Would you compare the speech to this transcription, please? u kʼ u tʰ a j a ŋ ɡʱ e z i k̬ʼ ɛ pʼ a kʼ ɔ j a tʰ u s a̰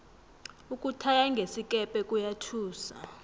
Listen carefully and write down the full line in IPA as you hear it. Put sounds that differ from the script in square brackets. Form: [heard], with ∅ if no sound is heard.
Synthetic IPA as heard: u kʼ u tʰ a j a ŋ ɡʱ e [s] i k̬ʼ ɛ pʼ [ɛ] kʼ [u] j a tʰ [uː] s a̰